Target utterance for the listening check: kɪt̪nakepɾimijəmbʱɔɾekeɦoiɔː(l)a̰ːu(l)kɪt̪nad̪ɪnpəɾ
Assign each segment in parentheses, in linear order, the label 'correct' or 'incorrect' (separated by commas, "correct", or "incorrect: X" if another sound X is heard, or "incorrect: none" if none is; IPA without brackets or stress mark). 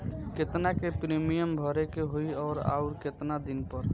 incorrect: ɾ, incorrect: ɾ